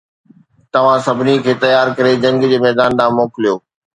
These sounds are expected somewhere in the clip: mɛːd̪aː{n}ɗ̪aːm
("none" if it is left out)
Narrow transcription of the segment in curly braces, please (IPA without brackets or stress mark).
n